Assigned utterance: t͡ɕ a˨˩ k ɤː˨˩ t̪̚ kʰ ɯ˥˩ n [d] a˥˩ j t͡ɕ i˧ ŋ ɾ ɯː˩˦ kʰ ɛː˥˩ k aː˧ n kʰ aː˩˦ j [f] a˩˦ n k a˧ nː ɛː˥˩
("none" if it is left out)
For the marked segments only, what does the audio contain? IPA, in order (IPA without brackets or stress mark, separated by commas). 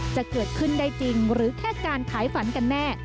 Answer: d, f